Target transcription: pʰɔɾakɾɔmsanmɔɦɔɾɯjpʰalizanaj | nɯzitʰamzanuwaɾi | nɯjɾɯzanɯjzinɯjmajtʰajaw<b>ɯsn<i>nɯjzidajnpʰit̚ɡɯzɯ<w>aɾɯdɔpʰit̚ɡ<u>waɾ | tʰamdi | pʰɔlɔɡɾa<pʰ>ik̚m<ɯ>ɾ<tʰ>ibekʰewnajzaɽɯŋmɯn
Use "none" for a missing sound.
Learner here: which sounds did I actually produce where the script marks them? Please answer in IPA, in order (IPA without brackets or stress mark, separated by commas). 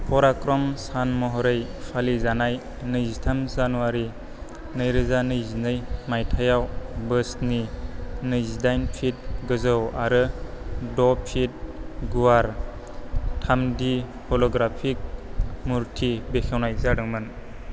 b, i, w, u, pʰ, u, tʰ